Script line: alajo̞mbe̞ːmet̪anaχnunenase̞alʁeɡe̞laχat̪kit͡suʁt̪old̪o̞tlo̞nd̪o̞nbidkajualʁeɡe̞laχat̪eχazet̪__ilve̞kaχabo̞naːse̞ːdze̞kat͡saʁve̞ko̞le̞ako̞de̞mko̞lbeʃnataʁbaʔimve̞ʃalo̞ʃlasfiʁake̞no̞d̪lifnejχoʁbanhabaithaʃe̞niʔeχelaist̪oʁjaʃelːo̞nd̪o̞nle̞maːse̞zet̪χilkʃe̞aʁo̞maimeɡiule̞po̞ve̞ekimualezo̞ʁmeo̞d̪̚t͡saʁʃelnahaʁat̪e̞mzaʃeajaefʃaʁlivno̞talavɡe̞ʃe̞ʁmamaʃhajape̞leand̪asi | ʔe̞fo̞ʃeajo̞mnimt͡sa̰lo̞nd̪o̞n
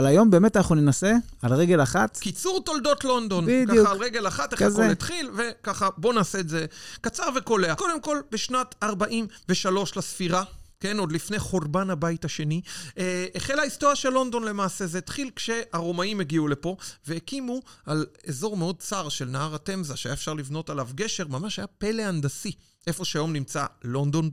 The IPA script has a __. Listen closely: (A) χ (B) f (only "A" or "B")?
A